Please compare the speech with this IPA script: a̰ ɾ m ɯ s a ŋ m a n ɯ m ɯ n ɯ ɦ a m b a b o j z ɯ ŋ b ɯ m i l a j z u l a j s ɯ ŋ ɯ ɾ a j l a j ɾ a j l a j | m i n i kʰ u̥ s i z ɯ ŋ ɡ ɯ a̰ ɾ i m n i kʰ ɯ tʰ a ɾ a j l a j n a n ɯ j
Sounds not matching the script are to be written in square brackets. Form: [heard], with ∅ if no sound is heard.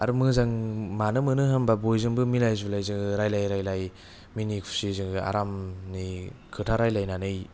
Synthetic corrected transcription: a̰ ɾ m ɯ [z] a ŋ m a n ɯ m ɯ n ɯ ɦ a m b a b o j z ɯ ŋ b ɯ m i l a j z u l a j [z] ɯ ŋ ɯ ɾ a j l a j ɾ a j l a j | m i n i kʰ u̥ s i z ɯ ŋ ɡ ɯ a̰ ɾ [a] m n i kʰ ɯ tʰ a ɾ a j l a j n a n ɯ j